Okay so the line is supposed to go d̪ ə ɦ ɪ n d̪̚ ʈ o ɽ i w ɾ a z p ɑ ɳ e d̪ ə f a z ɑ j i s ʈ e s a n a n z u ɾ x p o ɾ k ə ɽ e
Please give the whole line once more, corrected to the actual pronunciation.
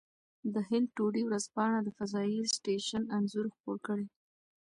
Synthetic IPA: d̪ ə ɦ ɪ n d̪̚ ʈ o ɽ i w ɾ a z p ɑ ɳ a d̪ ə f a z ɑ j i s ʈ e ʃ a n a n z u ɾ x p o ɾ k ə ɽ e